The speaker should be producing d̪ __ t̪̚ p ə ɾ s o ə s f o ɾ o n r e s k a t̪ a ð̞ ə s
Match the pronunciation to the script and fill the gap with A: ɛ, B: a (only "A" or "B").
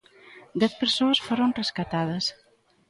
A